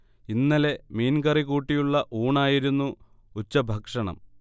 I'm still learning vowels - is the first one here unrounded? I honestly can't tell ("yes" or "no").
yes